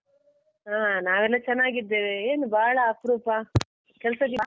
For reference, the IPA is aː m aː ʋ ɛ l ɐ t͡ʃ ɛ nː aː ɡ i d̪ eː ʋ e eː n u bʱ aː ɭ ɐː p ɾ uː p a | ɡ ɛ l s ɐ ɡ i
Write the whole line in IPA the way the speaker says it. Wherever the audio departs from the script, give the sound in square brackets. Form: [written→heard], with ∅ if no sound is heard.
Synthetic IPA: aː [m→n] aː ʋ ɛ [l→lː] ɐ t͡ʃ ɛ nː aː ɡ i d̪ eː ʋ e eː n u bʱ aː ɭ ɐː p ɾ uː p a | [ɡ→k] ɛ l s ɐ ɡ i